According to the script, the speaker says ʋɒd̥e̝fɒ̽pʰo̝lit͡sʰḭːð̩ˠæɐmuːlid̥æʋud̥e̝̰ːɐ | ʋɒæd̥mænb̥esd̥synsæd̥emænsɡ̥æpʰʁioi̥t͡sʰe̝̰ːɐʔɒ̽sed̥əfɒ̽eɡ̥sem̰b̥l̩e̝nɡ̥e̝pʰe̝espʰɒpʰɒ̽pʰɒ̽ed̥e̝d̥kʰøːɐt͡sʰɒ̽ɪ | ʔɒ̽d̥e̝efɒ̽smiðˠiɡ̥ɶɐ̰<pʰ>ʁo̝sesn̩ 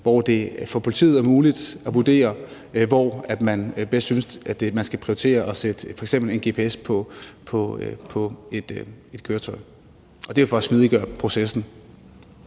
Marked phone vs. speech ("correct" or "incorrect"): correct